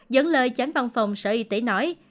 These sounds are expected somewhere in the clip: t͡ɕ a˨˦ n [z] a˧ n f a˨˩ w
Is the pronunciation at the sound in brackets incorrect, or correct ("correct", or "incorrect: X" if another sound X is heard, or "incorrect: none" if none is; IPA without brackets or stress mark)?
incorrect: v